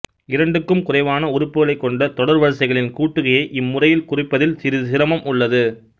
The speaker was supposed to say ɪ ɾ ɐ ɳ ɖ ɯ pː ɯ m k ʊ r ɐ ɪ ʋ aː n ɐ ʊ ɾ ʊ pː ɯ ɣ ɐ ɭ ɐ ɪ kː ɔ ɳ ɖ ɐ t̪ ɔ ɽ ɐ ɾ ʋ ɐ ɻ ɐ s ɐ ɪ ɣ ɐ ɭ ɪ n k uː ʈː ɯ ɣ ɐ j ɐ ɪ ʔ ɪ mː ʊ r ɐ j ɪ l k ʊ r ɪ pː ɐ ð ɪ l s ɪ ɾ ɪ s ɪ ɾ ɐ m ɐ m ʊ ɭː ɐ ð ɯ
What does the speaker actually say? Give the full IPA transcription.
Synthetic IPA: ɪ ɾ ɐ ɳ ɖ ɯ kː ɯ m k ʊ r ɐ ɪ ʋ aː n ɐ ʊ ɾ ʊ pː ɯ ɣ ɐ ɭ ɐ ɪ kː ɔ ɳ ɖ ɐ t̪ ɔ ɽ ɐ ɾ ʋ ɐ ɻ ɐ s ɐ ɪ ɣ ɐ ɭ ɪ n k uː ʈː ɯ ɣ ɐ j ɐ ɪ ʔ ɪ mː ʊ r ɐ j ɪ l k ʊ r ɪ pː ɐ ð ɪ l s ɪ ɾ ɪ s ɪ ɾ ɐ m ɐ m ʊ ɭː ɐ ð ɯ